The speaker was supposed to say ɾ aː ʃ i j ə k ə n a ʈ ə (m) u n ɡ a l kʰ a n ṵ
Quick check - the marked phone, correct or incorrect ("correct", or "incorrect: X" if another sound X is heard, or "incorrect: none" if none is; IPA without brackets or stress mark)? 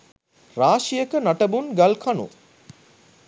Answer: incorrect: b